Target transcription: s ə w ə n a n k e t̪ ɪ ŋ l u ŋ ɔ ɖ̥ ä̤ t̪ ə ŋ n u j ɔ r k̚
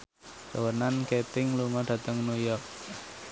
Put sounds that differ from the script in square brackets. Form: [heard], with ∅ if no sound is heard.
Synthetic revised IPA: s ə w ə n a n k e t̪ ɪ ŋ l u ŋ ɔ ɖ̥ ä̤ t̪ ə ŋ n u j ɔ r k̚